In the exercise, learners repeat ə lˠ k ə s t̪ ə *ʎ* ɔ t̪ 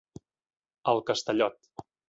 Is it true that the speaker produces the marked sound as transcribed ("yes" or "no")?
yes